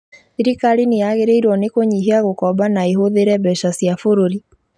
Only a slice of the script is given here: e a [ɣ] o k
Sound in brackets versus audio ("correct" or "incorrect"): correct